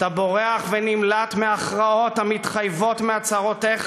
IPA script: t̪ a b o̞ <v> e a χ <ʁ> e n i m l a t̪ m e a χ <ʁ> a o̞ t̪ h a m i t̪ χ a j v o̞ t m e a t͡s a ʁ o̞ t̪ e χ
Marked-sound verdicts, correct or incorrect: incorrect: ʁ, incorrect: v, correct

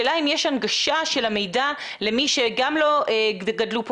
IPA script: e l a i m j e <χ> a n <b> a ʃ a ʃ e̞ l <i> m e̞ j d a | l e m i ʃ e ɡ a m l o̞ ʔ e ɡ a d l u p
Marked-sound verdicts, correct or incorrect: incorrect: ʃ, incorrect: ɡ, incorrect: a

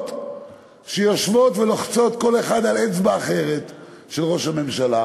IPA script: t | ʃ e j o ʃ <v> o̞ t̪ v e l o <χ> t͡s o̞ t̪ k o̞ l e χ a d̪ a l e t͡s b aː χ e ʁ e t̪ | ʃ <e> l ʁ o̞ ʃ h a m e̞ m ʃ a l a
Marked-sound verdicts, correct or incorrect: correct, correct, correct

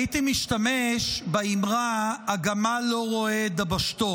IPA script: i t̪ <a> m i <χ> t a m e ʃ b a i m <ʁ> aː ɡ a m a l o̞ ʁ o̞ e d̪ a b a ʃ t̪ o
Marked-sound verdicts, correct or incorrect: incorrect: i, incorrect: ʃ, correct

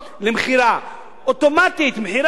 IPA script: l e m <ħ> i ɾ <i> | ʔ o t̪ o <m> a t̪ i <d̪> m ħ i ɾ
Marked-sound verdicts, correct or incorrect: incorrect: χ, incorrect: a, correct, incorrect: t̪

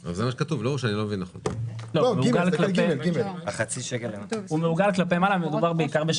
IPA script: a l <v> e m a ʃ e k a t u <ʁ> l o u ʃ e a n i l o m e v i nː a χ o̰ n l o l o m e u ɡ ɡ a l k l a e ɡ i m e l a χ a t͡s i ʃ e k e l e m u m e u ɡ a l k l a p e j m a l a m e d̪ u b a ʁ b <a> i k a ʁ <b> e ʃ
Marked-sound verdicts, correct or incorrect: incorrect: z, incorrect: v, incorrect: e, correct

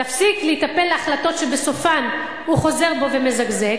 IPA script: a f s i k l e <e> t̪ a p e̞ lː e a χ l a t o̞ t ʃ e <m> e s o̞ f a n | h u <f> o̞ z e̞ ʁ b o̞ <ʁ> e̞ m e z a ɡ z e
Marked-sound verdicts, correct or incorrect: incorrect: i, incorrect: b, incorrect: χ, incorrect: v

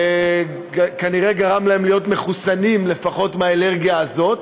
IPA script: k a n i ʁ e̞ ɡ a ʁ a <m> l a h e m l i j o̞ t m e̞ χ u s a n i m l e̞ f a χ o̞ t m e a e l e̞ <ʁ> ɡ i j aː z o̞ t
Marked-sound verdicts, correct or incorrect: correct, correct

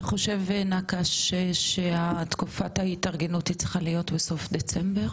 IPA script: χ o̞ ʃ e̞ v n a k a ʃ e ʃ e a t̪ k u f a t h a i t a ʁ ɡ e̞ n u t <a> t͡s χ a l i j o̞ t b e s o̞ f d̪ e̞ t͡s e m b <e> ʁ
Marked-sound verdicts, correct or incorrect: incorrect: i, correct

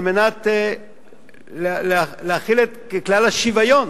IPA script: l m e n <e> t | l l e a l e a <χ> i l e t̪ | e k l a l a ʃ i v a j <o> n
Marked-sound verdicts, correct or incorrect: incorrect: a, correct, correct

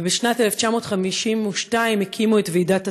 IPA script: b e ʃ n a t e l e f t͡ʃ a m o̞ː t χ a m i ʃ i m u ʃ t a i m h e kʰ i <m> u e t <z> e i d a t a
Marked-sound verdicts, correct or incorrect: correct, incorrect: v

